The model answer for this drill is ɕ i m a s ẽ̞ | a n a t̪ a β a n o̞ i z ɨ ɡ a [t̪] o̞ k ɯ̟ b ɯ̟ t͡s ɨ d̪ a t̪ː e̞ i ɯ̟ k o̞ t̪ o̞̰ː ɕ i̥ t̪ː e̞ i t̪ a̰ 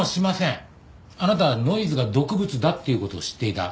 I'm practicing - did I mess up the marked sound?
yes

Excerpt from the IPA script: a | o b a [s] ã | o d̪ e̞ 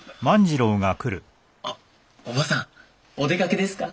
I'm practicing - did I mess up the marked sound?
no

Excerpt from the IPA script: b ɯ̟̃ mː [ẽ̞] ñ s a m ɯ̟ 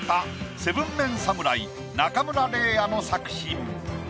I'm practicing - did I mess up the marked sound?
no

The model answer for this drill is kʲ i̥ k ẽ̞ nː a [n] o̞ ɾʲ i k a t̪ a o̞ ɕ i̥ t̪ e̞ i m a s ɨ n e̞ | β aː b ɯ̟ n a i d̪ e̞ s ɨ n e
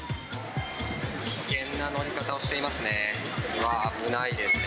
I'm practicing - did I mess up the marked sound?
no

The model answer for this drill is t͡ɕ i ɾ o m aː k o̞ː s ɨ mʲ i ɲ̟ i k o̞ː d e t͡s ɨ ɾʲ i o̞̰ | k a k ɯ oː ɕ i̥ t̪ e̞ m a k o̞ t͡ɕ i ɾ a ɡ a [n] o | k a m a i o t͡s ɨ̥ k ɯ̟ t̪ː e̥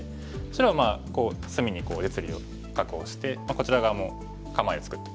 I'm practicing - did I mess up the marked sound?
yes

